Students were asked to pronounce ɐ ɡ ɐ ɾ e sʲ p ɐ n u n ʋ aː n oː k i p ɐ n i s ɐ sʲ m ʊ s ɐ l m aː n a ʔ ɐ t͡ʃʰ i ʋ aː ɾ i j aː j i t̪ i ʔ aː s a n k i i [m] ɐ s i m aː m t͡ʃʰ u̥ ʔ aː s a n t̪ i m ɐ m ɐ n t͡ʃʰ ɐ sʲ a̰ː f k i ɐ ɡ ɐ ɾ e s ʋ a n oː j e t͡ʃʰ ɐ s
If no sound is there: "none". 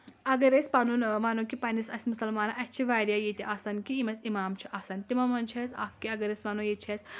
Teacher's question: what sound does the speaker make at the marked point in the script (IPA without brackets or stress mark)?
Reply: m